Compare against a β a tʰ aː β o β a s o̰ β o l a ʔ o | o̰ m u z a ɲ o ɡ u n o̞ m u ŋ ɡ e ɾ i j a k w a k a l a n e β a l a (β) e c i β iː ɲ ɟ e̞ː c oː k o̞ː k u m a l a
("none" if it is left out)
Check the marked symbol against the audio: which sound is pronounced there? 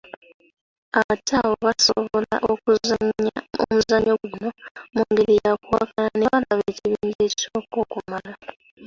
β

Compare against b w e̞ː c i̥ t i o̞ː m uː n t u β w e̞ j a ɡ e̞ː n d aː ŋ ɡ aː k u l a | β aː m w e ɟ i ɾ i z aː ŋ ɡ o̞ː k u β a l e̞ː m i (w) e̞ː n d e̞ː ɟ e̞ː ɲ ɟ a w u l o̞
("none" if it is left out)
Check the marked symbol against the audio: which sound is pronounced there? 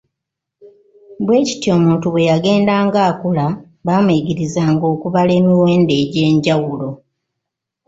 w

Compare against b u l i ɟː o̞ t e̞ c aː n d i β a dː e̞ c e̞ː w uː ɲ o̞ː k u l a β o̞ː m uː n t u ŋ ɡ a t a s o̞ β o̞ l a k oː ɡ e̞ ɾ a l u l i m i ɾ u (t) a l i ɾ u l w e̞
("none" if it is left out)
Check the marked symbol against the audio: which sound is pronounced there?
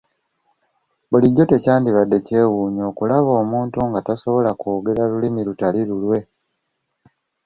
t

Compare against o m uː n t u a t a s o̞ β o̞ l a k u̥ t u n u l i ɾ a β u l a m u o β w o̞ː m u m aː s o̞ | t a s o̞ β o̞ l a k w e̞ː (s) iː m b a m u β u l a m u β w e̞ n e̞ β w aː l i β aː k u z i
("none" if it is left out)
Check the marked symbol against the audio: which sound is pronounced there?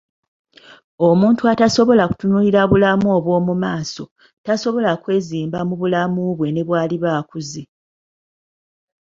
z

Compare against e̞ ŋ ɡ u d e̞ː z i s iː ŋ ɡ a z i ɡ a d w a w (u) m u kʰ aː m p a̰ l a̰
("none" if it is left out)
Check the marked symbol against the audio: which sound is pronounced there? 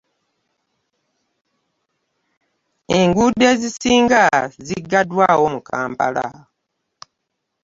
o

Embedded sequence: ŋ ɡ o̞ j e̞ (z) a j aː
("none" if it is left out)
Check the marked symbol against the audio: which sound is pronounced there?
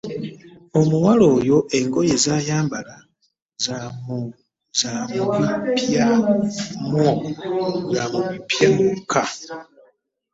z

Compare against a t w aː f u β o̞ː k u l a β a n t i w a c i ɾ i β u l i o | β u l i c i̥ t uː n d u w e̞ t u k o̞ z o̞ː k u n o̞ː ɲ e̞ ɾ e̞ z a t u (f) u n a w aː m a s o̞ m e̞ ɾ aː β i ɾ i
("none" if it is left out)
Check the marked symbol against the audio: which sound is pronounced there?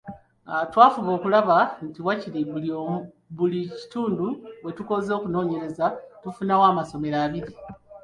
f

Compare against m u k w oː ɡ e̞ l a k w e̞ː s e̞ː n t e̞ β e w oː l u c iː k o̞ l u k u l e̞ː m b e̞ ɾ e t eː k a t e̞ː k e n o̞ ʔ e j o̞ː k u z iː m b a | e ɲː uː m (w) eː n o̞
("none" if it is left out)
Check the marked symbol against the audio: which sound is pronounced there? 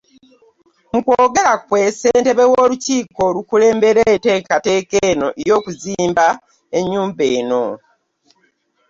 b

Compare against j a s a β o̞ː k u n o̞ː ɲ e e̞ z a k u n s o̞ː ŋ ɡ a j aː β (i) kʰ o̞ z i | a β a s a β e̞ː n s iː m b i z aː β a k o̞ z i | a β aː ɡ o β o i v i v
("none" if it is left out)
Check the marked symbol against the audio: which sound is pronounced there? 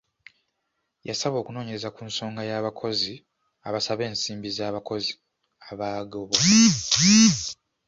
a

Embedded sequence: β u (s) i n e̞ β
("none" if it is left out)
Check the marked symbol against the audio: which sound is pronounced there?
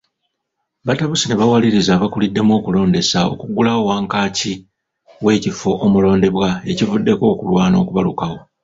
s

